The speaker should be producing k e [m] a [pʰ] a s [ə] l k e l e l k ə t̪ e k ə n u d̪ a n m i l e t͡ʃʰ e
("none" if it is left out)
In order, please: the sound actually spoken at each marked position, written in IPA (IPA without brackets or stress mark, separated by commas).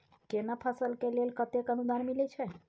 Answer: n, pʰ, ə